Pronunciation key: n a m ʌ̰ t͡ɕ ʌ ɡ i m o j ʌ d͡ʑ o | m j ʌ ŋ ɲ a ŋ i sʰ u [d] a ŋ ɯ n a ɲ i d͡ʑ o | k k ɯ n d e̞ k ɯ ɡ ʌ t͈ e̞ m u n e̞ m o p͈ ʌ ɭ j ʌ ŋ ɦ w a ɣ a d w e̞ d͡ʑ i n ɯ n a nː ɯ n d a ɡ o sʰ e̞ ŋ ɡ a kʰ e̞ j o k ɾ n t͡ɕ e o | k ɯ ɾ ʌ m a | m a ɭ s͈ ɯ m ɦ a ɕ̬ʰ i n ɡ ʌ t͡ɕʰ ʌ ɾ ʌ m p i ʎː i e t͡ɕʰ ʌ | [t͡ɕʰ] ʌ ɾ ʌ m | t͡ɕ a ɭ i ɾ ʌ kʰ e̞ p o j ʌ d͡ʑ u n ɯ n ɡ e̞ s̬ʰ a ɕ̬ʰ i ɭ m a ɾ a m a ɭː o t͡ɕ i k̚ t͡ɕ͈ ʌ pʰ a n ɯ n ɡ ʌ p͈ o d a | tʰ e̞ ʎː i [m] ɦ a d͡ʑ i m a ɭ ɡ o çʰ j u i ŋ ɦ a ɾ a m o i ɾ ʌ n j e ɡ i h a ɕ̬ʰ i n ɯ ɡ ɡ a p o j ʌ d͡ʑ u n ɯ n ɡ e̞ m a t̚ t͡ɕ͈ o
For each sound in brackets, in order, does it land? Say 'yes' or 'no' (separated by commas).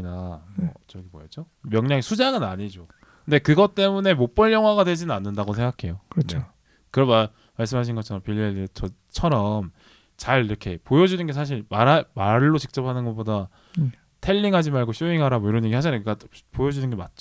no, yes, no